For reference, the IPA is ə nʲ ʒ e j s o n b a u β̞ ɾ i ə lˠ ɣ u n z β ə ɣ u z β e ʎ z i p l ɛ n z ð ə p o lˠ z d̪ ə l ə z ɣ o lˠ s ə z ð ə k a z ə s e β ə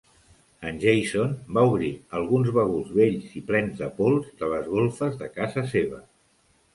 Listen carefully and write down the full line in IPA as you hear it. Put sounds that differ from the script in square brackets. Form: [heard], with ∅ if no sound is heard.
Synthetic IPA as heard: ə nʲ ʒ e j s o n b a u β̞ ɾ i ə lˠ ɣ u n z β ə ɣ u z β e ʎ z i p l ɛ n z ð ə p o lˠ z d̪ ə l ə z ɣ o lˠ [f] ə z ð ə k a z ə s e β ə